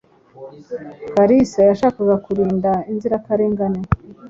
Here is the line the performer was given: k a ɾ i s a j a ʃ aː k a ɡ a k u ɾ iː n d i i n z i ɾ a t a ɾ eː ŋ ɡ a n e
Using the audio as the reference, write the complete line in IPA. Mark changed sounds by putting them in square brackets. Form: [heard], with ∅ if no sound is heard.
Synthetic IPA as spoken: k a ɾ i s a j a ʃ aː k a ɡ a k u ɾ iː n d [a] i n z i ɾ a [k] a ɾ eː ŋ ɡ a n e